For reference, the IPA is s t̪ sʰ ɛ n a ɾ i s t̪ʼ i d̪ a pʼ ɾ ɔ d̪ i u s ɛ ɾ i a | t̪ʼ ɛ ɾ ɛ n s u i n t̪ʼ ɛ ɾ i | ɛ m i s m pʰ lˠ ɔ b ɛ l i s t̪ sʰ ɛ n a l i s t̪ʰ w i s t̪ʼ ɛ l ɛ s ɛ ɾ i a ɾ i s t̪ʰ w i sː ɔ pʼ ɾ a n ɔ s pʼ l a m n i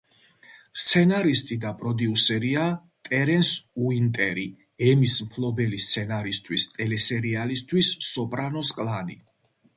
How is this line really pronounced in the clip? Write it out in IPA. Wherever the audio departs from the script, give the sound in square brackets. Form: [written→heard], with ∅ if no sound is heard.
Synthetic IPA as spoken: s t̪ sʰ ɛ n a ɾ i s t̪ʼ i d̪ a pʼ ɾ ɔ d̪ i u s ɛ ɾ i a | t̪ʼ ɛ ɾ ɛ n s u i n t̪ʼ ɛ ɾ i | ɛ m i s m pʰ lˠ ɔ b ɛ l i s t̪ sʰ ɛ n a [l→ɾ] i s t̪ʰ w i s t̪ʼ ɛ l ɛ s ɛ ɾ i a [ɾ→l] i s t̪ʰ w i sː ɔ pʼ ɾ a n ɔ s [pʼ→kʼ] l a [m→∅] n i